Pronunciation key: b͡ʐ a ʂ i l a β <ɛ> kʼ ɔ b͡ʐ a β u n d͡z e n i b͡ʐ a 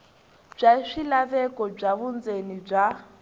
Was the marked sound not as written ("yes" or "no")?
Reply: no